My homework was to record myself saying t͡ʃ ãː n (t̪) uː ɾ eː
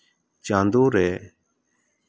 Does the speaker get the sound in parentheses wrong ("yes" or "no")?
yes